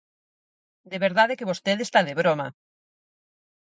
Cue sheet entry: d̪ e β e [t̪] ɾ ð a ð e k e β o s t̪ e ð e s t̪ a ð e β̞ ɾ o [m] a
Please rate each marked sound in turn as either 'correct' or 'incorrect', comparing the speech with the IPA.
incorrect, correct

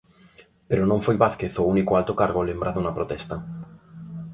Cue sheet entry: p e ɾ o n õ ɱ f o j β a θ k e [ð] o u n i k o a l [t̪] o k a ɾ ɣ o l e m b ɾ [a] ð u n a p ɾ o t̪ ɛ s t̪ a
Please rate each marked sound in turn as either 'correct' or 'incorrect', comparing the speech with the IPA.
incorrect, correct, correct

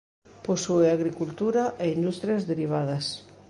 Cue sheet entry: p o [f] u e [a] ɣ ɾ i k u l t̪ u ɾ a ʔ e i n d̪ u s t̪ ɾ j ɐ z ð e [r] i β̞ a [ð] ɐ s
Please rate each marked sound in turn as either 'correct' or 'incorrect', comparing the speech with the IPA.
incorrect, correct, incorrect, correct

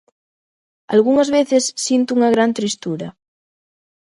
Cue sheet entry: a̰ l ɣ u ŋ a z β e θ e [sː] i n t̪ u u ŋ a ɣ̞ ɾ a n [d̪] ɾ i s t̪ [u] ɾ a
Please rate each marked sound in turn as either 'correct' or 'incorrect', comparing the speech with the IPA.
correct, incorrect, correct

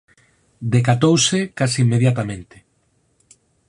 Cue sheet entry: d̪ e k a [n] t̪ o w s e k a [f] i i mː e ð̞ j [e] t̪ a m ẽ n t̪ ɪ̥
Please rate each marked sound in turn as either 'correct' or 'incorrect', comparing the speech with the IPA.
incorrect, incorrect, incorrect

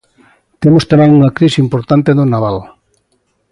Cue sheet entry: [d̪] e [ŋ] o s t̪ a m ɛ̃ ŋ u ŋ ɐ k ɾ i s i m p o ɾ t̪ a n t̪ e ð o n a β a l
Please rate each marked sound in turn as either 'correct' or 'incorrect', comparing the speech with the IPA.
incorrect, incorrect

